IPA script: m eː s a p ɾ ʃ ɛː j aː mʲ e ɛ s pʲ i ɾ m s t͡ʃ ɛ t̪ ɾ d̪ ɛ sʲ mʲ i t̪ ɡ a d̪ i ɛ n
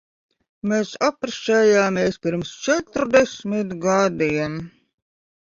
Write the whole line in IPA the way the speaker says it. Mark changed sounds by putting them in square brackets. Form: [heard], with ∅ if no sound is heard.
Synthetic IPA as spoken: m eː s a p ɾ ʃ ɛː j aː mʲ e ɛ s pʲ i ɾ m s t͡ʃ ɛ t̪ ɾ d̪ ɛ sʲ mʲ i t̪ ɡ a d̪ i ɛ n